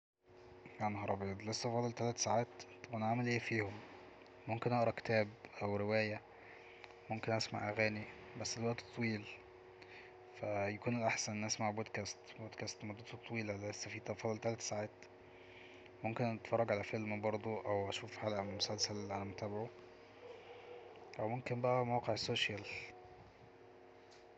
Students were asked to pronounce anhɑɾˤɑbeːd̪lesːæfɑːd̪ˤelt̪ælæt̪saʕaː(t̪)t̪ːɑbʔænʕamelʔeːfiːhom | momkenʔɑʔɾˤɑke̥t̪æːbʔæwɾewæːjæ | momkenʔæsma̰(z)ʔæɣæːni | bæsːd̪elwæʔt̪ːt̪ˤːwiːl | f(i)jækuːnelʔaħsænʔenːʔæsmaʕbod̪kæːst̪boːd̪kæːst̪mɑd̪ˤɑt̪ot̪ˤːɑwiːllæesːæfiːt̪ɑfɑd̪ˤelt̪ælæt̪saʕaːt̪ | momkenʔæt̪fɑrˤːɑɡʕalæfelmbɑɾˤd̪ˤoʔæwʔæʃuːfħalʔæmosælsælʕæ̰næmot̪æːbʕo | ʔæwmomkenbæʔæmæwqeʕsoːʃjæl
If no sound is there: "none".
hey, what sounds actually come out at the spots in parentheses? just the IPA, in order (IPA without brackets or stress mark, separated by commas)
t̪, ʕ, æ